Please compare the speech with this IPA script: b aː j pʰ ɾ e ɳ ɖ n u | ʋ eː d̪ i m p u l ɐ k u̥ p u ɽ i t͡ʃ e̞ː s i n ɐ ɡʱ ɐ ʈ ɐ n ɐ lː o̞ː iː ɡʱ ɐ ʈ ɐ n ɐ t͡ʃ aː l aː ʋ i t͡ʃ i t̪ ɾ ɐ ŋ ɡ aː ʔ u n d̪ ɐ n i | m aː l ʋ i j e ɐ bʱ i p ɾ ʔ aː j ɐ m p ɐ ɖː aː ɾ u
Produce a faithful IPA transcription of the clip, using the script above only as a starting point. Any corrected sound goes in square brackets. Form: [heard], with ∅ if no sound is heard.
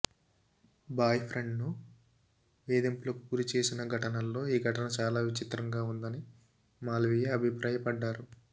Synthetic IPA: b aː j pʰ ɾ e ɳ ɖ n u | ʋ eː d̪ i m p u l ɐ k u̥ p u [ɾ] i t͡ʃ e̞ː s i n ɐ ɡʱ ɐ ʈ ɐ n ɐ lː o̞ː iː ɡʱ ɐ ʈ ɐ n ɐ t͡ʃ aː l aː ʋ i t͡ʃ i t̪ ɾ ɐ ŋ ɡ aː [∅] u n d̪ ɐ n i | m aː l ʋ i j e ɐ bʱ i p ɾ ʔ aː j ɐ [∅] p ɐ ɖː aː ɾ u

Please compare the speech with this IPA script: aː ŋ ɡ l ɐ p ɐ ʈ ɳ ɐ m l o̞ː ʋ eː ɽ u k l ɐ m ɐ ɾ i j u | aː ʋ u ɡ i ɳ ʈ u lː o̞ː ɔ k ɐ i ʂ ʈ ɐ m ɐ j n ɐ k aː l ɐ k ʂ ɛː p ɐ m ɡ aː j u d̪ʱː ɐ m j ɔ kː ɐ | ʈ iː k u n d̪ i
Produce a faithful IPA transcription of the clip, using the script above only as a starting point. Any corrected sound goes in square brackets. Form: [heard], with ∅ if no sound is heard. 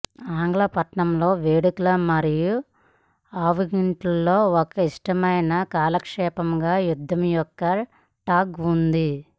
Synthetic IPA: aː ŋ ɡ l ɐ p ɐ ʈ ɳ ɐ m l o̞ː ʋ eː ɽ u k l ɐ m ɐ ɾ i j u | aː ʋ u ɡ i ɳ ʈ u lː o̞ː ɔ k ɐ i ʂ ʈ ɐ m ɐ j n ɐ k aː l ɐ k ʂ ɛː p ɐ m ɡ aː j u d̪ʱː ɐ m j ɔ kː ɐ | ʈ [aː] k u n d̪ i

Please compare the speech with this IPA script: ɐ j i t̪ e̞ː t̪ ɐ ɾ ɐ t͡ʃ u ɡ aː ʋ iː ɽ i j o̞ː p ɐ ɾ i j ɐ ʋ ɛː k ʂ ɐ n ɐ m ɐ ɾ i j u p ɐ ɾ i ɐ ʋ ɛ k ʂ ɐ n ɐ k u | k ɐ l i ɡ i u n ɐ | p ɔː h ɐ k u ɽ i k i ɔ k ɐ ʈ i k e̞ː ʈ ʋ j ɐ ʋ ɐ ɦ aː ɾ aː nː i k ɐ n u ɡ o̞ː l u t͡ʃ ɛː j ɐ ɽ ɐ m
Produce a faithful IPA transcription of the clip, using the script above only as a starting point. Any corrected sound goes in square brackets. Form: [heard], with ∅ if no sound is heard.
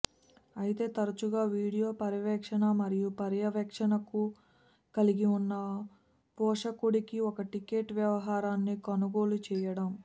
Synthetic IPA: ɐ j i t̪ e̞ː t̪ ɐ ɾ ɐ t͡ʃ u ɡ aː ʋ iː ɽ i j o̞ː p ɐ ɾ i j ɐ ʋ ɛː k ʂ ɐ n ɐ m ɐ ɾ i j u p ɐ ɾ [j] ɐ ʋ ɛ k ʂ ɐ n ɐ k u | k ɐ l i ɡ i u [nː] ɐ | p ɔː [ʂ] ɐ k u ɽ i k i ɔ k ɐ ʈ i k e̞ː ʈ ʋ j ɐ ʋ ɐ ɦ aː ɾ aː nː i k ɐ n u ɡ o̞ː l u t͡ʃ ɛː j ɐ ɽ ɐ m

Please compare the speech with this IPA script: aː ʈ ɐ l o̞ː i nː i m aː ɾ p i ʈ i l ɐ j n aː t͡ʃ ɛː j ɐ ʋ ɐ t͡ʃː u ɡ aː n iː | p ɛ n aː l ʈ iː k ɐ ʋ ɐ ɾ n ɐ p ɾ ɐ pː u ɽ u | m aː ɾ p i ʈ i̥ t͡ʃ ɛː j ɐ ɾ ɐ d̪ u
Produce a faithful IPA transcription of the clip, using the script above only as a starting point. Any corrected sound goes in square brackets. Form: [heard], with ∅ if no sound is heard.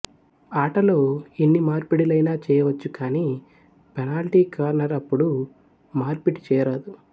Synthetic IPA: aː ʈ ɐ l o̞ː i nː i m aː ɾ p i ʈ i l ɐ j n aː t͡ʃ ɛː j ɐ ʋ ɐ t͡ʃː u [k] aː n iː | p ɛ n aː l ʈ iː k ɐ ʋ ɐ ɾ n ɐ [∅] ɾ ɐ pː u ɽ u | m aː ɾ p i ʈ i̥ t͡ʃ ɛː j ɐ ɾ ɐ d̪ u

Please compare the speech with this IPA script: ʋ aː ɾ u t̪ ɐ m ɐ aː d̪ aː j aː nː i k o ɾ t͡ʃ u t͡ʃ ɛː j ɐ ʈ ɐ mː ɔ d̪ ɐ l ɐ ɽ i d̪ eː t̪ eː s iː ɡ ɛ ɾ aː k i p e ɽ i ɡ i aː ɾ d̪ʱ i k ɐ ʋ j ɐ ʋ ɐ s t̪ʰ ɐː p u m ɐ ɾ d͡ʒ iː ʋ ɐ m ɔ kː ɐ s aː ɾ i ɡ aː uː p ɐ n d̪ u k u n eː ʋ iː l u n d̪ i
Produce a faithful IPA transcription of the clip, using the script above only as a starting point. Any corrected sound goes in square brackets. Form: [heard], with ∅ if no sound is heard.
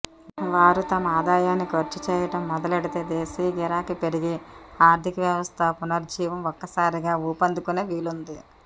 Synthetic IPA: ʋ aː ɾ u t̪ ɐ m ɐ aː d̪ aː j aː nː i k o ɾ t͡ʃ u t͡ʃ ɛː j ɐ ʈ ɐ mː ɔ d̪ ɐ l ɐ ɽ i [t̪] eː [d̪] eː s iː ɡ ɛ ɾ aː k i p e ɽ i ɡ i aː ɾ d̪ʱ i k ɐ ʋ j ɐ ʋ ɐ s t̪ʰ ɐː p u [n] ɐ ɾ d͡ʒ iː ʋ ɐ m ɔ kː ɐ s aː ɾ i ɡ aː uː p ɐ n d̪ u k u n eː ʋ iː l u n d̪ i

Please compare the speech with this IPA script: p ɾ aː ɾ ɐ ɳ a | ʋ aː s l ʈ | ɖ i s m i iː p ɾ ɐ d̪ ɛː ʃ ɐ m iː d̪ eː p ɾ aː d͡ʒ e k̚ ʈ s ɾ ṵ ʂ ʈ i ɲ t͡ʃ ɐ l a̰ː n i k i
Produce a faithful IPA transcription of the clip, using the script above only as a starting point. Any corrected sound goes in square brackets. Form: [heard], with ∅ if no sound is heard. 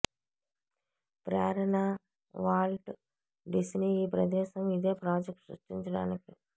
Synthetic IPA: p ɾ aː ɾ ɐ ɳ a | ʋ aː [∅] l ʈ | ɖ i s [n] i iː p ɾ ɐ d̪ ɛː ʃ ɐ m [i] d̪ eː p ɾ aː d͡ʒ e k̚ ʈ s ɾ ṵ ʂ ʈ i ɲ t͡ʃ ɐ [ɽ] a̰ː n i k i

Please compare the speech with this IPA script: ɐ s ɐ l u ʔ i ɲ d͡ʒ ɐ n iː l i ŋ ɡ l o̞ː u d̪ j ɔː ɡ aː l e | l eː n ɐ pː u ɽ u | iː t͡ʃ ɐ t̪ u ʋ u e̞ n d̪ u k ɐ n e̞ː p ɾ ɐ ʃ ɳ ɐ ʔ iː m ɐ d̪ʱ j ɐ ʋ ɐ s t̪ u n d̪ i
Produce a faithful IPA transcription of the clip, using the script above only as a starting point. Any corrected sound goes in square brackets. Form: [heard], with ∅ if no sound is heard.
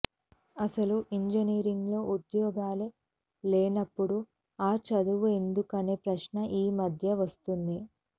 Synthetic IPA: ɐ s ɐ l u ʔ i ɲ d͡ʒ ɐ n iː [ɾ] i ŋ ɡ l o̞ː u d̪ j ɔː ɡ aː l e | l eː n ɐ pː u ɽ u | [aː] t͡ʃ ɐ [d̪] u ʋ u e̞ n d̪ u k ɐ n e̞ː p ɾ ɐ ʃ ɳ ɐ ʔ iː m ɐ d̪ʱ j ɐ ʋ ɐ s t̪ u n d̪ i

